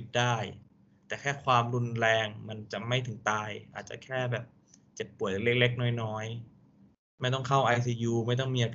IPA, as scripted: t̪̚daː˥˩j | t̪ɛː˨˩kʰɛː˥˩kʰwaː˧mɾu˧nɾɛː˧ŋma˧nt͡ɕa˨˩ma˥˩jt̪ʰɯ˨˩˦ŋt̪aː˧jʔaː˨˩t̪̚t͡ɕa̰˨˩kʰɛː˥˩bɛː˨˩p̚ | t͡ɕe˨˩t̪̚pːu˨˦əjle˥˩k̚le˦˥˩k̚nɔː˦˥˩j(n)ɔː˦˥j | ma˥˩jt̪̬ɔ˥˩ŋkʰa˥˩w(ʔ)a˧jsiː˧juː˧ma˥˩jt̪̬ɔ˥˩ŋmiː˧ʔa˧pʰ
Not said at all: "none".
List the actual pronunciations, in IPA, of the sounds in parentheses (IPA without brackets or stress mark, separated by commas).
n, ʔ